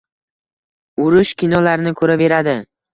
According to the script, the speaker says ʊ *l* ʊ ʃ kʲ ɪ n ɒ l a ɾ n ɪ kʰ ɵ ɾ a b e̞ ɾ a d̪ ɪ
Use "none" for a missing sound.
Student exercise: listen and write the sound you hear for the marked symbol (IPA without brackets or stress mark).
ɾ